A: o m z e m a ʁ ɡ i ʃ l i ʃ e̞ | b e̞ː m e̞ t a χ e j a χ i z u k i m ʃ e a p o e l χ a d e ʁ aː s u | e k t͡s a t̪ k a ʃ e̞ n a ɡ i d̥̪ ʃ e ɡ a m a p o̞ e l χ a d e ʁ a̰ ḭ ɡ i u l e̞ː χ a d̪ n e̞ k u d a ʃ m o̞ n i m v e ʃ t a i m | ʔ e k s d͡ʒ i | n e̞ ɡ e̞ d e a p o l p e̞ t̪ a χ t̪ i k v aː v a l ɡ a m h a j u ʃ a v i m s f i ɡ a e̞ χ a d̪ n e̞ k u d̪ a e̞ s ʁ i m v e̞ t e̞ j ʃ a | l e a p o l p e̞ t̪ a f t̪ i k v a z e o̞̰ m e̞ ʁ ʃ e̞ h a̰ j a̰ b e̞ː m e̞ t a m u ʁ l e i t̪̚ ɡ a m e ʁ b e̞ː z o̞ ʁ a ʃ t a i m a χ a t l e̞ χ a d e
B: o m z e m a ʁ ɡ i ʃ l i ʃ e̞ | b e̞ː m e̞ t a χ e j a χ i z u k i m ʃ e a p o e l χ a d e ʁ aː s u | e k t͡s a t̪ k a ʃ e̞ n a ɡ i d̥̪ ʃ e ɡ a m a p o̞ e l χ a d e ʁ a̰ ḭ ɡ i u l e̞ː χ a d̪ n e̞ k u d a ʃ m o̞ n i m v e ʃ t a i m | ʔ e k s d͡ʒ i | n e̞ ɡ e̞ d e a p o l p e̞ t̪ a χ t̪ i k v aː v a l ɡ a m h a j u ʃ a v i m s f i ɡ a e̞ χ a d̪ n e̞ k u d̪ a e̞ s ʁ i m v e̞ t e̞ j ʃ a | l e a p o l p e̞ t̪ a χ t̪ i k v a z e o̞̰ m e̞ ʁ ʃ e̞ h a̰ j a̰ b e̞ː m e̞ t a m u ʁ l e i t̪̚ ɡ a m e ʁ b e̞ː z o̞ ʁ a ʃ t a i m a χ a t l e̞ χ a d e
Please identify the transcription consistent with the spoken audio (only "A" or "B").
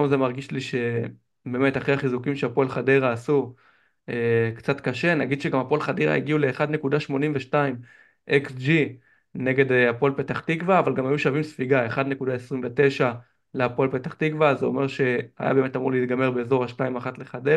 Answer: B